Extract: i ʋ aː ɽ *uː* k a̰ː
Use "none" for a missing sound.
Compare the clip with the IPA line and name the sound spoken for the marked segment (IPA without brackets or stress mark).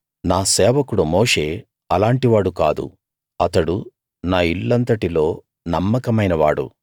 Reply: u